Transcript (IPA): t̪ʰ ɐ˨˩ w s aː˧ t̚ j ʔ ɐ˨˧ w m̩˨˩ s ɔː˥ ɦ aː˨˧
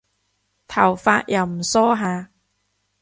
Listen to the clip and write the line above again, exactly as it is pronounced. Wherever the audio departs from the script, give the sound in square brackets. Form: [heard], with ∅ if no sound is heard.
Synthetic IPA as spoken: t̪ʰ ɐ˨˩ w [f] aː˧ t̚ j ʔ ɐ˨˧ w m̩˨˩ s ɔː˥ ɦ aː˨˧